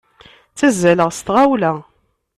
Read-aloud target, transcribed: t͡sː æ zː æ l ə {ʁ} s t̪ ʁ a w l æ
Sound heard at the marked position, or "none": ʁ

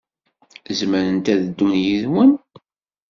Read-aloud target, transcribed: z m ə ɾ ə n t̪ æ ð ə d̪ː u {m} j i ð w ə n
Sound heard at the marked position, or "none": n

